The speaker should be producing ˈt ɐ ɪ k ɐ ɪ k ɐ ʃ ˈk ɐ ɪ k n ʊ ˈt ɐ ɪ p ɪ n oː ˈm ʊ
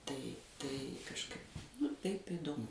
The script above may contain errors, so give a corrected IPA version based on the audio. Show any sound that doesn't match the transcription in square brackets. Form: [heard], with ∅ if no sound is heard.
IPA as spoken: ˈt ɐ ɪ [t] ɐ ɪ k ɐ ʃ ˈk ɐ ɪ [p] n ʊ ˈt ɐ ɪ p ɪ [d] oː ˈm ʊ